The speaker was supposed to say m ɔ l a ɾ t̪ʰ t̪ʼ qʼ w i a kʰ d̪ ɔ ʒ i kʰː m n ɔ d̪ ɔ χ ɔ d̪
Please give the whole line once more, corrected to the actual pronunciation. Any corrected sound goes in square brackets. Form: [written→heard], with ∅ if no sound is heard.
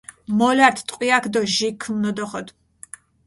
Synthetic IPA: m ɔ l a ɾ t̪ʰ t̪ʼ qʼ w i a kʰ d̪ ɔ ʒ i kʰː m n ɔ d̪ ɔ χ ɔ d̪